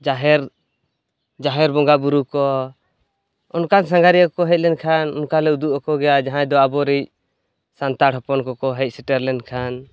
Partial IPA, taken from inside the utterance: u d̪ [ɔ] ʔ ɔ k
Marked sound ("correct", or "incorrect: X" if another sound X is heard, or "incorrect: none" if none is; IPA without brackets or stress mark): incorrect: u